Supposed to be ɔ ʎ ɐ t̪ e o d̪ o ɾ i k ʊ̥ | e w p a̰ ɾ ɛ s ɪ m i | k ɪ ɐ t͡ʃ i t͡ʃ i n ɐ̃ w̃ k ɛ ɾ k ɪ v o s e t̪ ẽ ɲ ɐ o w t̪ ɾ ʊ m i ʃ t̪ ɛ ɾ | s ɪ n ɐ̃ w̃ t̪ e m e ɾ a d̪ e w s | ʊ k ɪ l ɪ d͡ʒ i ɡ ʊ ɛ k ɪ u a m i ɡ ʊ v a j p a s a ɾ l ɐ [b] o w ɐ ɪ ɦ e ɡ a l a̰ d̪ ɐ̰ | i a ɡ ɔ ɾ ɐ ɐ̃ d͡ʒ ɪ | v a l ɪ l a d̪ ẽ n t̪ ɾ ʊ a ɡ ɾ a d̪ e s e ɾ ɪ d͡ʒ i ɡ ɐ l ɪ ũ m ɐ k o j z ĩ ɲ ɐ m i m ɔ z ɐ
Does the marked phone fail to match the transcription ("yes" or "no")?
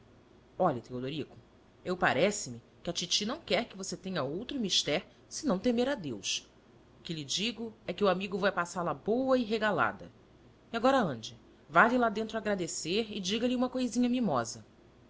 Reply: no